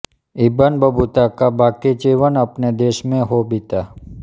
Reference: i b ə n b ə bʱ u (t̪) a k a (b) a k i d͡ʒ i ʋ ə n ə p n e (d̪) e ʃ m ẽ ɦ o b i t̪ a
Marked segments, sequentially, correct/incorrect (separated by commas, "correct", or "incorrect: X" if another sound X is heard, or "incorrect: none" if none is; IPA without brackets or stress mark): correct, correct, correct